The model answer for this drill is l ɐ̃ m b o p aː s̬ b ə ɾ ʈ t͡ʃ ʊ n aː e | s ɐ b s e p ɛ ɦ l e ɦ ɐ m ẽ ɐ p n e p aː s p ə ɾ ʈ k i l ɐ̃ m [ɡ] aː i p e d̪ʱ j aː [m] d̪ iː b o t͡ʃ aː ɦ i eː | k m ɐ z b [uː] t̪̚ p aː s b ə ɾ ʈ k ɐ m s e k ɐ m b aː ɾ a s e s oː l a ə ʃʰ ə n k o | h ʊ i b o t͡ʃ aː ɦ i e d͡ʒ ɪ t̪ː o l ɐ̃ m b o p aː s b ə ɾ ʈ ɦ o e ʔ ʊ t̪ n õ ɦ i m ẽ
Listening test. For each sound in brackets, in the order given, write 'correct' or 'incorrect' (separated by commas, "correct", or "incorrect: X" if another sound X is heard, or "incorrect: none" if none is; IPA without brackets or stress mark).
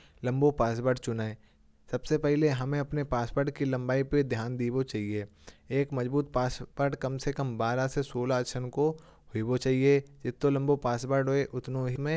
incorrect: b, incorrect: n, correct